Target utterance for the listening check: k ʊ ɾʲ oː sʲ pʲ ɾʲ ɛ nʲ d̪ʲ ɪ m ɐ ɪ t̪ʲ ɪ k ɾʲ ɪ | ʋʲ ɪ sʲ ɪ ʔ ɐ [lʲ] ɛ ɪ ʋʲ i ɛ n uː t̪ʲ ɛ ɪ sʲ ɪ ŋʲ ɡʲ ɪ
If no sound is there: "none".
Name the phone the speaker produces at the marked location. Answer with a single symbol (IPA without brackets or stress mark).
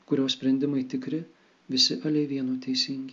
lʲ